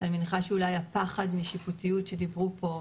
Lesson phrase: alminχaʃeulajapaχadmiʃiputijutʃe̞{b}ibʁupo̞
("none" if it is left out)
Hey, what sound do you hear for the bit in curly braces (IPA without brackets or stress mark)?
d